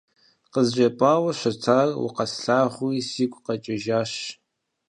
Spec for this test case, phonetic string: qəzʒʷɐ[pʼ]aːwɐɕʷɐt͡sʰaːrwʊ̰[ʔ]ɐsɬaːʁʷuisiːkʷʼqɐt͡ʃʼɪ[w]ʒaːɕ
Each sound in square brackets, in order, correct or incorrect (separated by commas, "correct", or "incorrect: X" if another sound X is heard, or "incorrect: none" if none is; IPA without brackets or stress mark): correct, incorrect: q, incorrect: none